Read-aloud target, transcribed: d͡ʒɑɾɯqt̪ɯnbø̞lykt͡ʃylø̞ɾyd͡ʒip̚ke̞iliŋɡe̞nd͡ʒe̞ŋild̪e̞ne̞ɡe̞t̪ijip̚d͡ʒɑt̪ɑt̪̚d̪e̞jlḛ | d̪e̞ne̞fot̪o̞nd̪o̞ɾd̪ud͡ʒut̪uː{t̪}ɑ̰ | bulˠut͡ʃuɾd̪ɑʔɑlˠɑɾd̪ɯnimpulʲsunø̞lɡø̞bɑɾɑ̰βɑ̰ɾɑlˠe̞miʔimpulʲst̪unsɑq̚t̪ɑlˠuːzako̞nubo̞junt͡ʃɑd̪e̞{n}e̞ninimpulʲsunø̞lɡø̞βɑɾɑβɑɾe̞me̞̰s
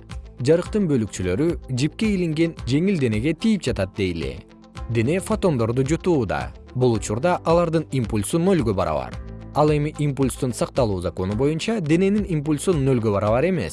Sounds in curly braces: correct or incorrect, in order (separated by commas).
incorrect, correct